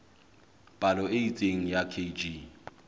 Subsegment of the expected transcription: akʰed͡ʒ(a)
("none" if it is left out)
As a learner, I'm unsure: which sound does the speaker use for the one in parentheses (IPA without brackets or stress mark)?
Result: i